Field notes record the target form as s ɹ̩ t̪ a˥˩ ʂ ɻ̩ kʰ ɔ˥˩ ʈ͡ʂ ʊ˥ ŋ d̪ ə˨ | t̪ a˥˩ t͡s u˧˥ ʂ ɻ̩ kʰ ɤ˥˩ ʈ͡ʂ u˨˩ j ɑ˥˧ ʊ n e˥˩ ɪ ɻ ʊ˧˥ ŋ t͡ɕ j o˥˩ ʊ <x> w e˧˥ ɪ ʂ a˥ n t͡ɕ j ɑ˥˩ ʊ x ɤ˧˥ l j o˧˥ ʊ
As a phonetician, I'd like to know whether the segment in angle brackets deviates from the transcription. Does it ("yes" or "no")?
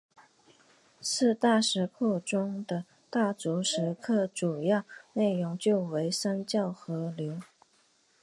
yes